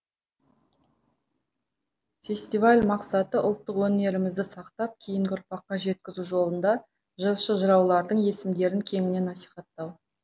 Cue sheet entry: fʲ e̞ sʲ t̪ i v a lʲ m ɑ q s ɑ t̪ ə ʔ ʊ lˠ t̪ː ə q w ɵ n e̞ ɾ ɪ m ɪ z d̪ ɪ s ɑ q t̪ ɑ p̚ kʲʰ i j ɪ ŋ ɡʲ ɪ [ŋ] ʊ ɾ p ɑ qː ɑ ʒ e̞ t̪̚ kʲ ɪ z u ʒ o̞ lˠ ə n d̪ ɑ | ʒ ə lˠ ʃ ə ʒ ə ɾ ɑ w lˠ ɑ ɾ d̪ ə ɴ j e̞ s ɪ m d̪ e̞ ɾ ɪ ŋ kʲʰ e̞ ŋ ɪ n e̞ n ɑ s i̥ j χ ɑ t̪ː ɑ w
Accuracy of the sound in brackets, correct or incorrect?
incorrect: none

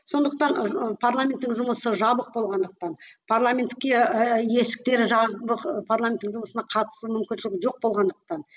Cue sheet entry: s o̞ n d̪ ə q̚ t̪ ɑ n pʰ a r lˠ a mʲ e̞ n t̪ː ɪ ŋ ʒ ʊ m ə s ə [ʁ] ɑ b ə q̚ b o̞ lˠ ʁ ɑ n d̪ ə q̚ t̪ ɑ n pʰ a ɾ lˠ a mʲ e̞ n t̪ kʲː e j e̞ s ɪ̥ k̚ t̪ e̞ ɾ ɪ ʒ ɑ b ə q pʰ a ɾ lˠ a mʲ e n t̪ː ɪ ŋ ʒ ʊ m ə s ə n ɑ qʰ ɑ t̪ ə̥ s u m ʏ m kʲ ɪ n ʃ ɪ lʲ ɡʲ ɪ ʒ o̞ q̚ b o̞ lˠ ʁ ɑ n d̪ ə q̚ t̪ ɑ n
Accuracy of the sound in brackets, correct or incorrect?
incorrect: ʒ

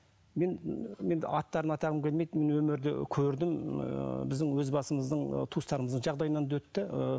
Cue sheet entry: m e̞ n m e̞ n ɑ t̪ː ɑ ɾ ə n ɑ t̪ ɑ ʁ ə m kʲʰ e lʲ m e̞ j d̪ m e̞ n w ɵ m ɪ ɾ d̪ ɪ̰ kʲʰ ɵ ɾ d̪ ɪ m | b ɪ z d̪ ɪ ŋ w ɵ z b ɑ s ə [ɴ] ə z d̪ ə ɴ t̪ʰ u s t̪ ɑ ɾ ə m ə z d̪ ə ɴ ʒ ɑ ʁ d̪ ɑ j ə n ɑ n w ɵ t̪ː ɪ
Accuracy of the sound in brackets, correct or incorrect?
incorrect: m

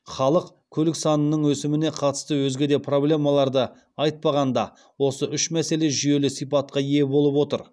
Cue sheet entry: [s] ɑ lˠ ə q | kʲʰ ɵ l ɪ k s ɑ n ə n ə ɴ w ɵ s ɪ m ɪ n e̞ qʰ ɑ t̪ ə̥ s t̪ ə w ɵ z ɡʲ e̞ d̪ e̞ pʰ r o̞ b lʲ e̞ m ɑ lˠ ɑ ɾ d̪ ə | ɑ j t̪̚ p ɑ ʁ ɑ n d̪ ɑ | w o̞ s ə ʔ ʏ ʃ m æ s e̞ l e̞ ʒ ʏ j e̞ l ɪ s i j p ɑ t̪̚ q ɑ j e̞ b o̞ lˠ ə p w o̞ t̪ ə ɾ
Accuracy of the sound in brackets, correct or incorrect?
incorrect: χ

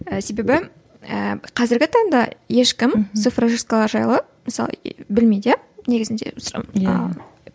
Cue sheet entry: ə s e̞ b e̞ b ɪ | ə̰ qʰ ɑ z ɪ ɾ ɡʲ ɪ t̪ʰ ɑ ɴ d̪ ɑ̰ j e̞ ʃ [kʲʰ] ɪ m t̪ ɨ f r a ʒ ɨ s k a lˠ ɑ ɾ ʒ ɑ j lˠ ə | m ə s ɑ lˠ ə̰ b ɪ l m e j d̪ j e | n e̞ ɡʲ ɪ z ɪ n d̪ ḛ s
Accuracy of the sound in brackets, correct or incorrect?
incorrect: kʲ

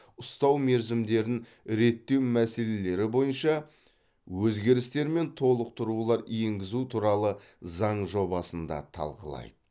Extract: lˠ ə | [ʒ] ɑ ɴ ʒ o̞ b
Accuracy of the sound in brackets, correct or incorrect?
incorrect: z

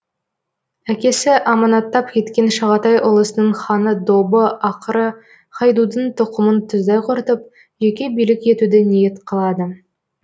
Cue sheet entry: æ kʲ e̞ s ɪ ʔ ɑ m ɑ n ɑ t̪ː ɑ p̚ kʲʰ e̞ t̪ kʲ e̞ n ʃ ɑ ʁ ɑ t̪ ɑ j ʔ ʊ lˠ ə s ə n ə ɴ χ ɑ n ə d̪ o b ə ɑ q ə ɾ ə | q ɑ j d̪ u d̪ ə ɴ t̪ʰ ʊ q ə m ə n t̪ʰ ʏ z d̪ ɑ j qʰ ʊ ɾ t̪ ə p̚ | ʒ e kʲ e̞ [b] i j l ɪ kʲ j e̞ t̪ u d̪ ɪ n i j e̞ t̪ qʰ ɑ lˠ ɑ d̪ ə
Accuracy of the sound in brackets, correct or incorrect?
correct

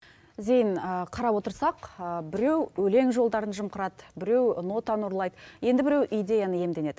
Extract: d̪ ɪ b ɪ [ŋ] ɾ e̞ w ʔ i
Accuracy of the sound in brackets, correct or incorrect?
incorrect: none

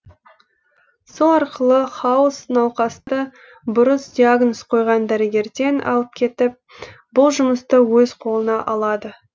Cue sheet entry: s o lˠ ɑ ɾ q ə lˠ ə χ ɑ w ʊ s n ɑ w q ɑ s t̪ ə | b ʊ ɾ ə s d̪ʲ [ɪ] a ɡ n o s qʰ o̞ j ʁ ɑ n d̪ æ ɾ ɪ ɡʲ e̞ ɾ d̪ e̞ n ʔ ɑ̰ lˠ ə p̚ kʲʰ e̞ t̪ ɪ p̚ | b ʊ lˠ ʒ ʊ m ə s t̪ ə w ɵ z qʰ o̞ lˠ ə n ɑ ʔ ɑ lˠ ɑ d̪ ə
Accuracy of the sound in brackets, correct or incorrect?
incorrect: i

